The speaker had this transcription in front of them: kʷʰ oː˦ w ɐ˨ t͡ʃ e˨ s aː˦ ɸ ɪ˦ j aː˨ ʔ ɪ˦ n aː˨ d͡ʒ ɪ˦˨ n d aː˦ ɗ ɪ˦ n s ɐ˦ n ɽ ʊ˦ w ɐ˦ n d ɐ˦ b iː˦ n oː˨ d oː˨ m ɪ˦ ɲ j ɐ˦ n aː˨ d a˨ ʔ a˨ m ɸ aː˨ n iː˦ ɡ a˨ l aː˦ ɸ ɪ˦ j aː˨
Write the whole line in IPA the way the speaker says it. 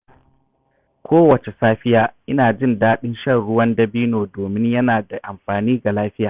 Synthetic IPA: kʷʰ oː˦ w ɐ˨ t͡ʃ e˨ s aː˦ ɸ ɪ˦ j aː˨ ʔ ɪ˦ n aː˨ d͡ʒ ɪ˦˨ n d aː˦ ɗ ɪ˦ n ʃ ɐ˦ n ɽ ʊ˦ w ɐ˦ n d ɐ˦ b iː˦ n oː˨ d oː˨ m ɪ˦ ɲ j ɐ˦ n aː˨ d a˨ ʔ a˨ m ɸ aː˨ n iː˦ ɡ a˨ l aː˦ ɸ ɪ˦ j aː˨